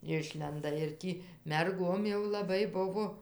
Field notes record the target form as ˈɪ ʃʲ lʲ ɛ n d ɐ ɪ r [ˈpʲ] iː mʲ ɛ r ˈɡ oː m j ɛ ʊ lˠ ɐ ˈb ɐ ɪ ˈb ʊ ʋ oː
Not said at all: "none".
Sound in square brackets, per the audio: tʲ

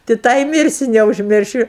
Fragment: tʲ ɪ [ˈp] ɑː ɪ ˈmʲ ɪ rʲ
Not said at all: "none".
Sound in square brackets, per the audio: t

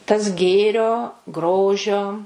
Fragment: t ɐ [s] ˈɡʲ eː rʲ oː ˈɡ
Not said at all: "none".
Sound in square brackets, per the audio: s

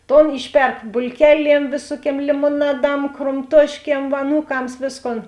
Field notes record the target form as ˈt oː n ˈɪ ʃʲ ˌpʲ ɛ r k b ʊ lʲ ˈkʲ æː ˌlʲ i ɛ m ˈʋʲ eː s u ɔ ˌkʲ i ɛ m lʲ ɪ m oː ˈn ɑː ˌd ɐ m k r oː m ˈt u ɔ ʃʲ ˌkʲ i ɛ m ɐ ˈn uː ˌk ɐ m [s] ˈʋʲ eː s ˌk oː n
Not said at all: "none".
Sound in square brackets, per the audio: s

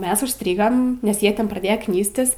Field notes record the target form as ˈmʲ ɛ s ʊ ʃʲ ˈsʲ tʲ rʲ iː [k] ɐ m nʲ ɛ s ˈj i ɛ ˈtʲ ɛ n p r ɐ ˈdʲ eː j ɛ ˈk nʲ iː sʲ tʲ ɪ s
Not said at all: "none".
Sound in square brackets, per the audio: ɡ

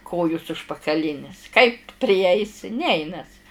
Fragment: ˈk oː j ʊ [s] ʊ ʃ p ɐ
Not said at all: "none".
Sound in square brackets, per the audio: s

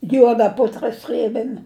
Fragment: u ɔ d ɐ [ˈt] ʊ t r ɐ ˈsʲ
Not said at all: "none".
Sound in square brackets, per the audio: p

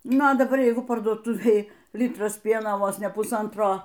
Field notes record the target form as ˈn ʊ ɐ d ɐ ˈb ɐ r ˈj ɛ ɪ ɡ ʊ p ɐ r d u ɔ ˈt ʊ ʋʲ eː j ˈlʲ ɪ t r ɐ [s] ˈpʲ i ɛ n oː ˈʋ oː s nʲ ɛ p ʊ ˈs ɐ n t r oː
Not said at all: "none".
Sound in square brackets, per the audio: s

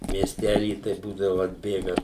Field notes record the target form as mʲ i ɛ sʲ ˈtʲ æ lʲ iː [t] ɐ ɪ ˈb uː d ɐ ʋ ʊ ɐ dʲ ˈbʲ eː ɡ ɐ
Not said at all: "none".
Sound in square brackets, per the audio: t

